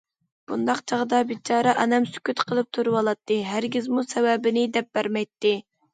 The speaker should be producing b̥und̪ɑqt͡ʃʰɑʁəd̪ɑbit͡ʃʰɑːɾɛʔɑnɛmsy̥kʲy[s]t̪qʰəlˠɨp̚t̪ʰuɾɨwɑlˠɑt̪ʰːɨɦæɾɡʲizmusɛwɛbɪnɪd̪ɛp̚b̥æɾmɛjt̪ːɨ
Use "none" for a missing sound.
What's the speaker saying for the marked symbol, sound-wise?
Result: none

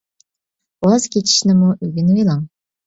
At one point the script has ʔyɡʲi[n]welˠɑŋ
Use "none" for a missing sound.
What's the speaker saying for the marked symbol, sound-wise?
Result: n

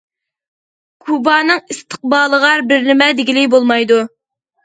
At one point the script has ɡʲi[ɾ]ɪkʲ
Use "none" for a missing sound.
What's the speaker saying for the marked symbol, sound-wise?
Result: l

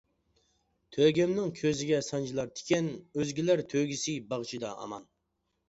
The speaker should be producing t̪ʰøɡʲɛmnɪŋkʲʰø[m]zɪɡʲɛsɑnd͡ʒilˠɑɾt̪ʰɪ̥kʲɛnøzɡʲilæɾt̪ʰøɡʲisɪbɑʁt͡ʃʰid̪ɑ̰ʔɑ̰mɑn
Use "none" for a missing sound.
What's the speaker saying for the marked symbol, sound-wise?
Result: none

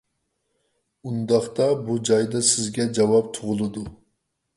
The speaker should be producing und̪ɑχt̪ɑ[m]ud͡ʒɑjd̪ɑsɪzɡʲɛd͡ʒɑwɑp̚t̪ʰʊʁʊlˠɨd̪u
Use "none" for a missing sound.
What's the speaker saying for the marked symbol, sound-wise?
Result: b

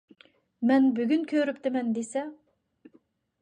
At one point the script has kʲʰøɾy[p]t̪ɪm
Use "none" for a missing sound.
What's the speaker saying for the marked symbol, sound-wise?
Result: p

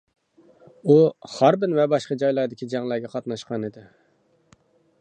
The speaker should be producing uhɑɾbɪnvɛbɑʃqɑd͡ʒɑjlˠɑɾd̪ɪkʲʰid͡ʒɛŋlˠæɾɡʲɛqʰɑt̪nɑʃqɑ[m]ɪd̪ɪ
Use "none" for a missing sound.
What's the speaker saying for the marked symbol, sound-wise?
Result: n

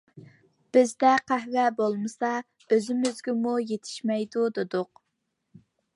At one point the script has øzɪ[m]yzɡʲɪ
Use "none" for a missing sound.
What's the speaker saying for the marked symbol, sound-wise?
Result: m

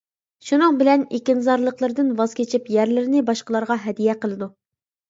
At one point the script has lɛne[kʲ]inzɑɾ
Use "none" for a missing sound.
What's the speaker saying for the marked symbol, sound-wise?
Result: kʲ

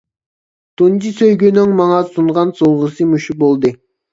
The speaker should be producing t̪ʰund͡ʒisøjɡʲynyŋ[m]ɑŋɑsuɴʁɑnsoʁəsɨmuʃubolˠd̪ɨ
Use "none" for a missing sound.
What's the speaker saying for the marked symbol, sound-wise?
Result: m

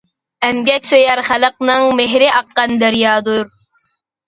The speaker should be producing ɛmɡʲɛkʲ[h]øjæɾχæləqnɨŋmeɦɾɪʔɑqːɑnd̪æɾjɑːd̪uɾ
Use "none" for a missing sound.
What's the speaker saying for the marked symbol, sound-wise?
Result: s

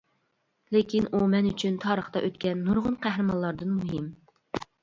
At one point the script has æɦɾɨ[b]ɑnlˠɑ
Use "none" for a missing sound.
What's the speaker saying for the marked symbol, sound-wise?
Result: m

